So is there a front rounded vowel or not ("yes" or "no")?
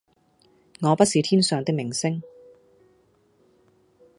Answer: yes